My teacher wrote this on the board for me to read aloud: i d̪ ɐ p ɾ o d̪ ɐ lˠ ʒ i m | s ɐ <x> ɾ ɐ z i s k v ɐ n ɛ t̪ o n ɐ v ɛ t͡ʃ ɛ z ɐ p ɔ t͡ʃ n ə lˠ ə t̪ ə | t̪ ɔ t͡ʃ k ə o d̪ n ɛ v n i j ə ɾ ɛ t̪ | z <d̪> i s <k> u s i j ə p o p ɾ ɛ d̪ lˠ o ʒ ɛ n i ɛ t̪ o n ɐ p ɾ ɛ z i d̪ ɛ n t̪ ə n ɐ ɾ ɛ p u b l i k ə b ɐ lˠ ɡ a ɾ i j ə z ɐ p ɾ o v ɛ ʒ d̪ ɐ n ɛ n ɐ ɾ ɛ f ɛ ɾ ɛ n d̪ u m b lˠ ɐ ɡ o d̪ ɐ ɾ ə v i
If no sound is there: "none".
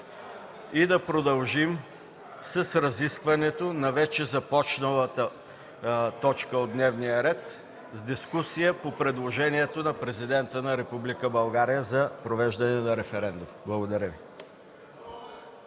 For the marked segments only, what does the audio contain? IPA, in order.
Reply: s, d̪, k

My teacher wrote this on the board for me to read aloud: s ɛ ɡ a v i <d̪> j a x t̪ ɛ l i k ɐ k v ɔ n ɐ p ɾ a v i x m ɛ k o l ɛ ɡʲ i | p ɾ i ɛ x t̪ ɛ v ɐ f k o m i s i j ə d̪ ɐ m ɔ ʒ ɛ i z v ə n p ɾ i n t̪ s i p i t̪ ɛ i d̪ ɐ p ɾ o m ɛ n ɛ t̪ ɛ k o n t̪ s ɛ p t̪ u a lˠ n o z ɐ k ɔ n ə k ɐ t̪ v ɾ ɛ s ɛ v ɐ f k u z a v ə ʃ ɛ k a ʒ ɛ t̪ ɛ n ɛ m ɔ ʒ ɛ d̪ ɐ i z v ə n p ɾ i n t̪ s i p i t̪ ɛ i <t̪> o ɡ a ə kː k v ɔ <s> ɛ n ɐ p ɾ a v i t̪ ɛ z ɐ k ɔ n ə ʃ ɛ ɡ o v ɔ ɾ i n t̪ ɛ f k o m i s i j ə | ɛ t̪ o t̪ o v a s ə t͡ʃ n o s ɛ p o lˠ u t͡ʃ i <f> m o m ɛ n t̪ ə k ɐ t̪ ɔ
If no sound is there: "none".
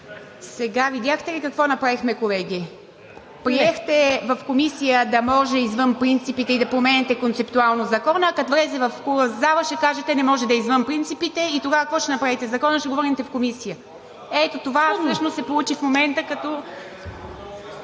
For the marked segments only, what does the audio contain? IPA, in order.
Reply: d̪, t̪, ʃ, f

